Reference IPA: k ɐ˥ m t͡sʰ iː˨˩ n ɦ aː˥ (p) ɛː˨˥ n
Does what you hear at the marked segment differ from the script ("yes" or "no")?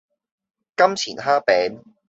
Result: no